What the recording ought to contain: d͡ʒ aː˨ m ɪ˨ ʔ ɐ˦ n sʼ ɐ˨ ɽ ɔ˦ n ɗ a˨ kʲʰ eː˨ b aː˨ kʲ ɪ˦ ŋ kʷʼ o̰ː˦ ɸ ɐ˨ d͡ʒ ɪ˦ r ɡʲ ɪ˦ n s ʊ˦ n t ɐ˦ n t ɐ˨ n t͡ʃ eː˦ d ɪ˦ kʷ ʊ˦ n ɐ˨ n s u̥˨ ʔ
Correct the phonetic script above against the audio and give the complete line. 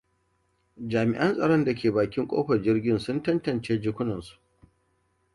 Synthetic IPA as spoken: d͡ʒ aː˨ m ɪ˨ ʔ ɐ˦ n sʼ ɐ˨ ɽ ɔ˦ n d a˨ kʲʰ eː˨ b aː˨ kʲ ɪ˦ ŋ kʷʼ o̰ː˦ ɸ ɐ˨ d͡ʒ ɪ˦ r ɡʲ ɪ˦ n s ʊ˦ n t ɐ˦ n t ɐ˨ n t͡ʃ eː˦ d͡ʒ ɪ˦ kʷ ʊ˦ n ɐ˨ n s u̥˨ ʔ